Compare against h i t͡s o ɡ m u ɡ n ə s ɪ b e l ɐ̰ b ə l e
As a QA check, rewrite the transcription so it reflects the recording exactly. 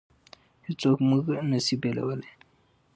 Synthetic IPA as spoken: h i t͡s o k m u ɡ n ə s i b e l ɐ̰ w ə l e